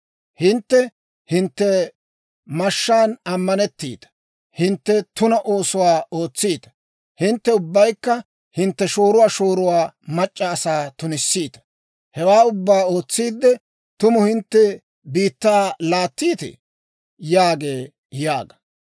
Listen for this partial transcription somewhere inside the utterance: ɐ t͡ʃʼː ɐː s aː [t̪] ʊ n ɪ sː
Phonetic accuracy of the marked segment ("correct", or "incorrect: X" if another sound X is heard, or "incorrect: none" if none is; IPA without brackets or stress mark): correct